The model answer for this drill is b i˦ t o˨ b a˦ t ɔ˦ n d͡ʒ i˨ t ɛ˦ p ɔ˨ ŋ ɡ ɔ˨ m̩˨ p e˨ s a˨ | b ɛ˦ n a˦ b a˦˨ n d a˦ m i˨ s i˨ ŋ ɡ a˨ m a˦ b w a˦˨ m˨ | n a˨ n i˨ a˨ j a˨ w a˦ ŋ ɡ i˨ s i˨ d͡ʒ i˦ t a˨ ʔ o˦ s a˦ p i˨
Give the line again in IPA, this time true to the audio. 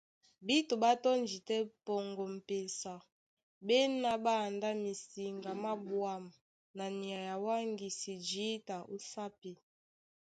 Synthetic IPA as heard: b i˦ t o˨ b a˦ t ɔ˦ n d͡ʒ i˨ t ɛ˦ p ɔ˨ ŋ ɡ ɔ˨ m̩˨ p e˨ s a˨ | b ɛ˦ n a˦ b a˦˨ n d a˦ m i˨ s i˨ ŋ ɡ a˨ m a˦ b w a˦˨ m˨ | n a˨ n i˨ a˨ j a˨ w a˦ ŋ ɡ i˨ s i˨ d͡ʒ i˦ t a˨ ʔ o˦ s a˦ p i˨